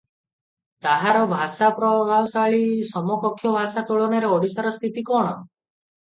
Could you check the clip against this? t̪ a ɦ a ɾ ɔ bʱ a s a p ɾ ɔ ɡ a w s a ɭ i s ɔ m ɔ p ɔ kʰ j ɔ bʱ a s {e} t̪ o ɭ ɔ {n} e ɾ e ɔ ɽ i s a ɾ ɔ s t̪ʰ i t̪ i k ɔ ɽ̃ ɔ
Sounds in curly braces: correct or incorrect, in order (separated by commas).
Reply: incorrect, correct